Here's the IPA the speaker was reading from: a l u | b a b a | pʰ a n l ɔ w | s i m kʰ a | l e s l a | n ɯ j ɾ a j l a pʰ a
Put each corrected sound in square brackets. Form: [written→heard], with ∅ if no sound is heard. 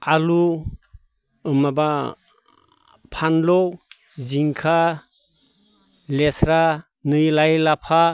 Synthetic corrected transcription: a l u | [b→m] a b a | pʰ a n l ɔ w | [s→z] i [m→ŋ] kʰ a | l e s [l→ɾ] a | n ɯ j [ɾ→l] a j l a pʰ a